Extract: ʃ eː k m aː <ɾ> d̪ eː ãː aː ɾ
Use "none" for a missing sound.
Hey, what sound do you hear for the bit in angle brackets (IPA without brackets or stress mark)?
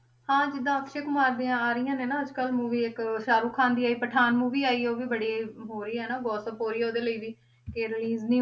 ɾ